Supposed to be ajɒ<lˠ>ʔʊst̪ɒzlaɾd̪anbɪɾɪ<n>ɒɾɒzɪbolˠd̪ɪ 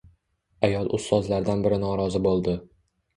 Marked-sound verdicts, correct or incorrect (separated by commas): correct, correct